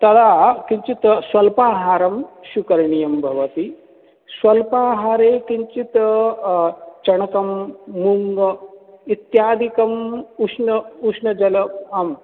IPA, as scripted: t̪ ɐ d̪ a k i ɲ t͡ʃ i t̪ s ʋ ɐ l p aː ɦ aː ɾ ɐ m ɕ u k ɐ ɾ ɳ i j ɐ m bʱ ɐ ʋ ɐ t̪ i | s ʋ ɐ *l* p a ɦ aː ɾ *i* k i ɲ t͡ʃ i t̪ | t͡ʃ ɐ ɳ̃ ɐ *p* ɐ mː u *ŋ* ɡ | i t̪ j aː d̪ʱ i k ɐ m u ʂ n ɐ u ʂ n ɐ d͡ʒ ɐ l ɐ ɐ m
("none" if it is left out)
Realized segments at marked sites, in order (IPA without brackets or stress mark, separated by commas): l, e, k, ŋ